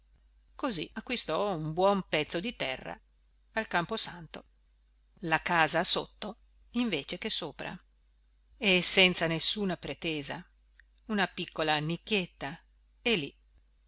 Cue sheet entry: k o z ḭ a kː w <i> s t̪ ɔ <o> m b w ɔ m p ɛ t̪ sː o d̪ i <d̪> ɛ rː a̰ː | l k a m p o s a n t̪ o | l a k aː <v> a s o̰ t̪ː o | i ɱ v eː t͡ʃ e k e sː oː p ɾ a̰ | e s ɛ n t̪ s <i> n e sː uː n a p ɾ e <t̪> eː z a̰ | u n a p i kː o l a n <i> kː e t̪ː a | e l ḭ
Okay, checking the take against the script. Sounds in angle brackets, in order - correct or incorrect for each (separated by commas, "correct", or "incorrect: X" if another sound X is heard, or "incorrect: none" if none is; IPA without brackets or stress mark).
correct, incorrect: u, incorrect: t̪, incorrect: z, incorrect: a, correct, correct